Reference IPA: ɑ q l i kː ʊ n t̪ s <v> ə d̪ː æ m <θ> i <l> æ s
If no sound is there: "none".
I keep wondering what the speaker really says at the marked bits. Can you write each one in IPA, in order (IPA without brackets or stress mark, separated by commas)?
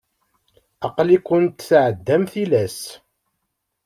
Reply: ʕ, θ, l